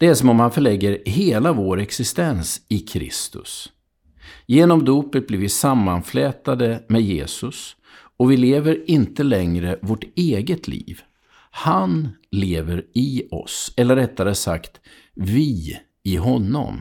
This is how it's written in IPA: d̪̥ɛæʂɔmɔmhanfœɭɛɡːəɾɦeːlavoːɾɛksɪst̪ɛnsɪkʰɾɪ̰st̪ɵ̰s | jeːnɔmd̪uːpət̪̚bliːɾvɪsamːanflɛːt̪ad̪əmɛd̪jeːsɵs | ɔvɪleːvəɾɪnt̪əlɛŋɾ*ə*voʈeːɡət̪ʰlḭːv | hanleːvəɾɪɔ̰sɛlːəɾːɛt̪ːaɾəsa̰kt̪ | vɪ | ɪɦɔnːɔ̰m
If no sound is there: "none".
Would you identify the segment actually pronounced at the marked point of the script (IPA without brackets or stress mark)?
ə